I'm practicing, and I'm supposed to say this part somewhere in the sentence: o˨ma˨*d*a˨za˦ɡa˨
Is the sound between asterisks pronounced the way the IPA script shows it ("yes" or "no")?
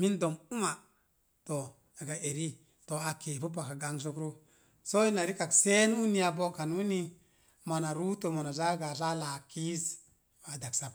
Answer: no